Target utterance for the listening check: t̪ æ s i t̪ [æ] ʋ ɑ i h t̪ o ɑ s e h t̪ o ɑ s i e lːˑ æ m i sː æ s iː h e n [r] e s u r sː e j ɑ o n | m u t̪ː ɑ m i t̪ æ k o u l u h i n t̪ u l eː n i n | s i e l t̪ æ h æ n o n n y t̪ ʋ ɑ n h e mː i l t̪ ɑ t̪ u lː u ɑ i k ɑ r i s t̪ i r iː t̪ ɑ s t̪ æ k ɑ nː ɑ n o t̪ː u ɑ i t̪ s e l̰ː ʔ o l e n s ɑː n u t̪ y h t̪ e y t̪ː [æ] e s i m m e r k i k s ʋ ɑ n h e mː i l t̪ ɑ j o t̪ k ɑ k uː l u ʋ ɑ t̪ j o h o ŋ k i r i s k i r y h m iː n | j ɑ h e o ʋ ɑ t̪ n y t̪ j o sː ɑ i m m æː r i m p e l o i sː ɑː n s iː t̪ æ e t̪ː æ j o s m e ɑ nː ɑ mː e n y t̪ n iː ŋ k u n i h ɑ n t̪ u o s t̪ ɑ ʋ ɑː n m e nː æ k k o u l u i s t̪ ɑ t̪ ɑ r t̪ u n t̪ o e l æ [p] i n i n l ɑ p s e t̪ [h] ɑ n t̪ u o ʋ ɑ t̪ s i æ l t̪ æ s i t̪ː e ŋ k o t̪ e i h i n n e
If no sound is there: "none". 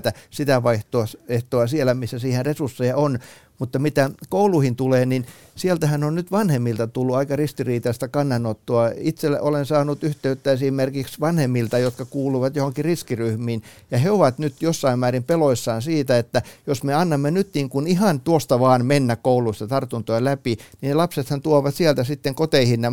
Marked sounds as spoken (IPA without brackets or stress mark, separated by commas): æ, r, æ, p, h